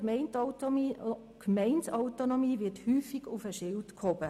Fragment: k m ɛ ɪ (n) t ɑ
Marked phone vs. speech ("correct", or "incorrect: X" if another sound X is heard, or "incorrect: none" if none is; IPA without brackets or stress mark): correct